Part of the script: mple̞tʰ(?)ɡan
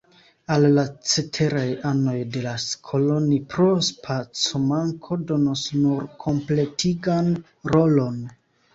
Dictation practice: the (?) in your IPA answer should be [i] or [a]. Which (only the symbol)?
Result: i